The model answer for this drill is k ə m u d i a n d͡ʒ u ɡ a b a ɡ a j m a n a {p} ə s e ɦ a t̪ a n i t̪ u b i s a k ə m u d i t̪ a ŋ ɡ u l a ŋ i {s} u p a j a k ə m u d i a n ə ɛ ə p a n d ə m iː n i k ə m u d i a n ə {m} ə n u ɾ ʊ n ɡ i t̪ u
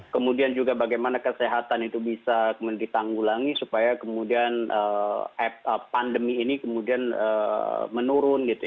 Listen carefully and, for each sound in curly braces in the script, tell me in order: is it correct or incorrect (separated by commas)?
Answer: incorrect, correct, correct